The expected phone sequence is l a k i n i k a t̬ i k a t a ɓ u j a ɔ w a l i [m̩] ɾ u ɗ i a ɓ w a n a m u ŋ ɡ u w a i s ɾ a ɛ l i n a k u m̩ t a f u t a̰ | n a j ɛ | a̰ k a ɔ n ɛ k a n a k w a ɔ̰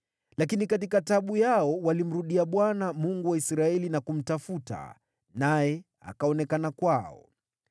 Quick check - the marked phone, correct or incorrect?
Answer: correct